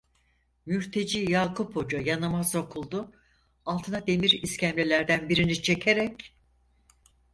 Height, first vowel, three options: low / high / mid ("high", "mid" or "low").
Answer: high